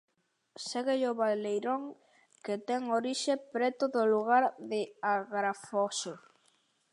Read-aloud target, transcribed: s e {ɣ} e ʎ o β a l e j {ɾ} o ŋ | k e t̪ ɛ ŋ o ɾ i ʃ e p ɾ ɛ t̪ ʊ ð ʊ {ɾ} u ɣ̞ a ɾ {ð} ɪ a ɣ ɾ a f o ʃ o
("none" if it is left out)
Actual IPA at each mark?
ɣ, ɾ, l, ð

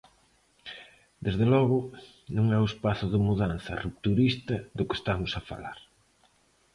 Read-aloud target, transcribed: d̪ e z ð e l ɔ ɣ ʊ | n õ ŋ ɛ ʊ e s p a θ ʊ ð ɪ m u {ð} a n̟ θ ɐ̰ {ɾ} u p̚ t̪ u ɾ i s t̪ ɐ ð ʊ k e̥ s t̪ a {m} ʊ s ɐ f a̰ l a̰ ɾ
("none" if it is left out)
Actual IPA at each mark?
ð, r, m

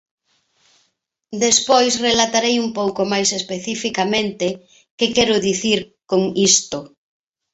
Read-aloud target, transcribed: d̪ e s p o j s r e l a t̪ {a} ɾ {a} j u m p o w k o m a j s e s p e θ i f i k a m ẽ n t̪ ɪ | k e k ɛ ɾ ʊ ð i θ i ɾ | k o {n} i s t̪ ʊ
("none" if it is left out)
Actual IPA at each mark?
a, e, ŋ

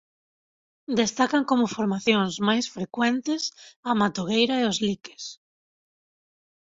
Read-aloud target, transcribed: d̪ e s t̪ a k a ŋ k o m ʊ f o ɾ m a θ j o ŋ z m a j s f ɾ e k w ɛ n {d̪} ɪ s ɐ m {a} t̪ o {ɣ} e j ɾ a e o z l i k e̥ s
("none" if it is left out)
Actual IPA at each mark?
t̪, a, ɣ

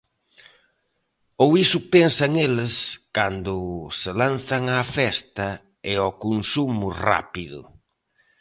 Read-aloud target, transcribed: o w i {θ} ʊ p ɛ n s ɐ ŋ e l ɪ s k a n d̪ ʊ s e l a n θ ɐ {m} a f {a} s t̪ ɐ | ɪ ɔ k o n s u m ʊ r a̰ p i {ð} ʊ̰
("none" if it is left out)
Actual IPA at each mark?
s, ŋ, ɛ, ð

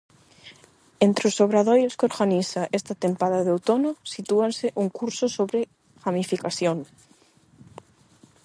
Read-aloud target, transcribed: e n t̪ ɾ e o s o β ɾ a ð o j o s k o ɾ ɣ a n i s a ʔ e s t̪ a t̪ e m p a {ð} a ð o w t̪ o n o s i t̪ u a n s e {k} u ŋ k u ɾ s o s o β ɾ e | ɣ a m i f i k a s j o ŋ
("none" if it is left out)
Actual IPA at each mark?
ð, ʔ

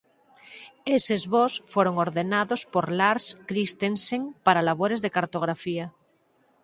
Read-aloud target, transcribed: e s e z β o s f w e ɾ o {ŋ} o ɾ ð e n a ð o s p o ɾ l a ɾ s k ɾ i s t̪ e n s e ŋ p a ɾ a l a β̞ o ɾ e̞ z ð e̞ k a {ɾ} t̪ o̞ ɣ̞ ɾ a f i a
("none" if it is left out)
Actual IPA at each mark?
ŋ, ɾ

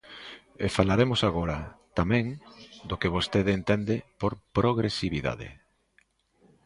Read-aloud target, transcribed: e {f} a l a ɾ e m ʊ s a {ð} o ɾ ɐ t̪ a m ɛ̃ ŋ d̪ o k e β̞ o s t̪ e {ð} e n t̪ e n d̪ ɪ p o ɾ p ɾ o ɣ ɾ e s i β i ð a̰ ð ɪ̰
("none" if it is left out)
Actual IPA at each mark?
f, ɣ, ð

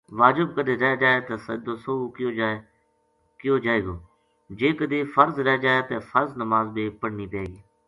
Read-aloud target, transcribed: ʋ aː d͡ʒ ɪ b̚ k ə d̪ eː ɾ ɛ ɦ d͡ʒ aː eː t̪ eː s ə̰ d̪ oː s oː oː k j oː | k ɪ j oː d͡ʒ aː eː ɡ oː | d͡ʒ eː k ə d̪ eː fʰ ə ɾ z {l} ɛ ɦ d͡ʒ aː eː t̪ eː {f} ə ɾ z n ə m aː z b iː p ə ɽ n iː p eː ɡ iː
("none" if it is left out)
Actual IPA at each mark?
ɾ, f

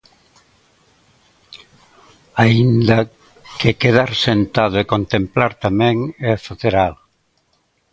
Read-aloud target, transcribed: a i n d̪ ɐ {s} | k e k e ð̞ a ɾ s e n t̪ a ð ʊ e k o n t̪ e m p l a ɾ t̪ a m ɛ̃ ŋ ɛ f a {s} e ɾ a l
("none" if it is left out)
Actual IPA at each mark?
none, θ

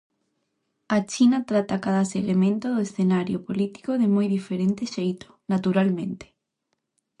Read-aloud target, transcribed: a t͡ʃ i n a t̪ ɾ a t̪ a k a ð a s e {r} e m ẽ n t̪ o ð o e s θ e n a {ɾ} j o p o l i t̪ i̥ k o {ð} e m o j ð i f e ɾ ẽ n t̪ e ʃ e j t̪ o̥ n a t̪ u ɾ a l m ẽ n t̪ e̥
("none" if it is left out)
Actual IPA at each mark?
l, ɾ, ð

